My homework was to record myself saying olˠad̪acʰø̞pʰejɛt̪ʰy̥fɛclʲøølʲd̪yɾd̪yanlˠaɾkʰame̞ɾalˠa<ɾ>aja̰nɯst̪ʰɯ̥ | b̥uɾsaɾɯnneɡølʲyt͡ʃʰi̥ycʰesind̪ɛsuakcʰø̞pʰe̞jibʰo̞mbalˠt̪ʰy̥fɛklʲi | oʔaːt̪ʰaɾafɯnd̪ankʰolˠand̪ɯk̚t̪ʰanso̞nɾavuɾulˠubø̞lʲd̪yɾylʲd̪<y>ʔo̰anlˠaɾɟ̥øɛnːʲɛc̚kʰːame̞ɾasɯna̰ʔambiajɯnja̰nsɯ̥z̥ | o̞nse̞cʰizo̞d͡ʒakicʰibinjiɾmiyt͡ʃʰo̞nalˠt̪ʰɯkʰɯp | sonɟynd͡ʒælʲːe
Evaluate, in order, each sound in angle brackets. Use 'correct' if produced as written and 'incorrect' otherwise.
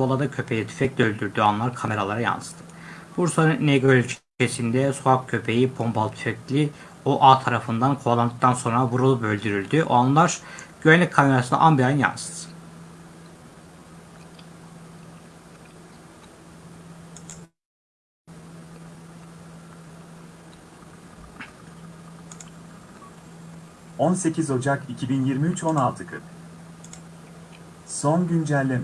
correct, correct

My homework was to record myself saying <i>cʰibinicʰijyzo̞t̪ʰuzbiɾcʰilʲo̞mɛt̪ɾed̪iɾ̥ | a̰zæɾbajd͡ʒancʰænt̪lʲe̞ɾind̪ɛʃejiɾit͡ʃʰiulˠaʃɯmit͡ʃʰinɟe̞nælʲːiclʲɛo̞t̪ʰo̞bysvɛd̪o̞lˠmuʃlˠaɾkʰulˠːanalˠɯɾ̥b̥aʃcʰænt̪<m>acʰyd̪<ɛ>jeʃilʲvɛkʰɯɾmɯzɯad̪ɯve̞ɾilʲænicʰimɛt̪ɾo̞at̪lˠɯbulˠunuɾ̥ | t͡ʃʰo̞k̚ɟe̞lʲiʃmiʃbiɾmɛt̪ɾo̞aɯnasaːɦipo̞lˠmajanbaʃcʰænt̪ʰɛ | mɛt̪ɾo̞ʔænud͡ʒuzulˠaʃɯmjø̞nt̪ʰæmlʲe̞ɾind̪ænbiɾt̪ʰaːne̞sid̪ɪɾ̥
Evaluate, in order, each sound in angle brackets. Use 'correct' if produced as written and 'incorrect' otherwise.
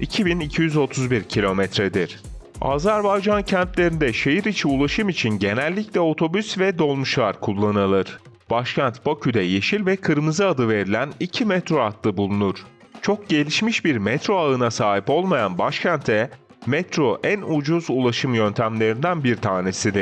correct, incorrect: b, correct

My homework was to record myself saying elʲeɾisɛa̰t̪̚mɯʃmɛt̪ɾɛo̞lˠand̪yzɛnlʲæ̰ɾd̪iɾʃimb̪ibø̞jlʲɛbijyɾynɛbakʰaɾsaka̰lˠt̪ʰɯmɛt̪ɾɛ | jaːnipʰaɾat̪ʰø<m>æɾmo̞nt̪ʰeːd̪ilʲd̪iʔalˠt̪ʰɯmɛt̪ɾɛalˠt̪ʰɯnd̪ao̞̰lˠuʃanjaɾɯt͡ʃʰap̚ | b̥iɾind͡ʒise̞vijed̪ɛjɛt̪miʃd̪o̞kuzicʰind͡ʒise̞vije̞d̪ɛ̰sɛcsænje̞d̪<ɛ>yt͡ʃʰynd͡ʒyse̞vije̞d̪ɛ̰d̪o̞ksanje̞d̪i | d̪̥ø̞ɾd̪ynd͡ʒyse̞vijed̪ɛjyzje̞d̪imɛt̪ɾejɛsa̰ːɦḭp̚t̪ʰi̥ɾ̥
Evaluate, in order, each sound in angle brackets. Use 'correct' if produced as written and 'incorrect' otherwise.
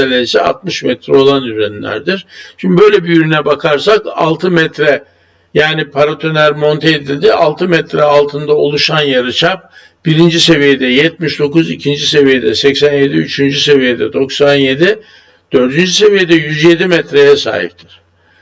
incorrect: n, incorrect: i

